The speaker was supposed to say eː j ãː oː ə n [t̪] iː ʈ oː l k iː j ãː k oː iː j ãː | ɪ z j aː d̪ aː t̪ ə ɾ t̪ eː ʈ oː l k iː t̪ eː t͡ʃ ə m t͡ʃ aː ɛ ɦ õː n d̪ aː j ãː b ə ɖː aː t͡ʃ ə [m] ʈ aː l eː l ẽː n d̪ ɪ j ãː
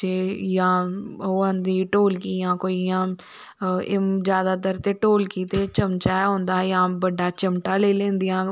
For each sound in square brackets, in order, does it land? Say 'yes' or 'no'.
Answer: no, yes

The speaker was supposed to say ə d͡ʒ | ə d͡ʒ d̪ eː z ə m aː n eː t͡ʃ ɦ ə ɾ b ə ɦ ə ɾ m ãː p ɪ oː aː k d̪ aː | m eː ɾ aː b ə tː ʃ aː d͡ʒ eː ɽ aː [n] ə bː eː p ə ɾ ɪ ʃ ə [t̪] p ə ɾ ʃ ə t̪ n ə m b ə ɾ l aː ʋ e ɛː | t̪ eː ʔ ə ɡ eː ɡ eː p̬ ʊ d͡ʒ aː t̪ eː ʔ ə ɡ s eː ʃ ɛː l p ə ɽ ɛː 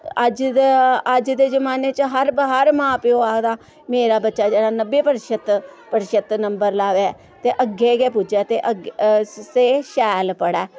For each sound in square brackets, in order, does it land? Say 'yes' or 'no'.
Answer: yes, yes

